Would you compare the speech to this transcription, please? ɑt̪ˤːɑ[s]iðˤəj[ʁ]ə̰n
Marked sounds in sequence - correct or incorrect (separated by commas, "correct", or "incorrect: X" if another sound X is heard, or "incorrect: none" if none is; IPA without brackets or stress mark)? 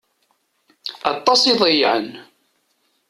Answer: correct, incorrect: ʕ